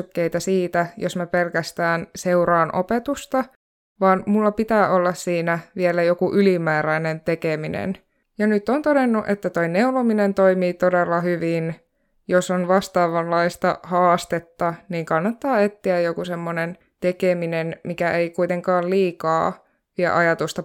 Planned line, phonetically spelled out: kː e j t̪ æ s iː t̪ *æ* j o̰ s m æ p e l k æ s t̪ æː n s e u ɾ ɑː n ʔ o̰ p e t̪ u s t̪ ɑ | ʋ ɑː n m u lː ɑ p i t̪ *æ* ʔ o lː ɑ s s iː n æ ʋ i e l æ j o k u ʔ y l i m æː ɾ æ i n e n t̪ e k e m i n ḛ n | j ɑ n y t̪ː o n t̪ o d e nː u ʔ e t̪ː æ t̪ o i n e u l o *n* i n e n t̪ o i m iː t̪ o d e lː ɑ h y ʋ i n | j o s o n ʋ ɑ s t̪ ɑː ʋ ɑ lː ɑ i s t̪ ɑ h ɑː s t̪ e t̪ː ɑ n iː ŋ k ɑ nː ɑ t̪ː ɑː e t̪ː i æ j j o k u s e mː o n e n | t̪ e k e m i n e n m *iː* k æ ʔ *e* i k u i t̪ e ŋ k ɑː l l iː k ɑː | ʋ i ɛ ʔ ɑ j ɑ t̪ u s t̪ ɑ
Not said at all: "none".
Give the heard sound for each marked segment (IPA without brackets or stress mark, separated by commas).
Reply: æ, æː, m, i, e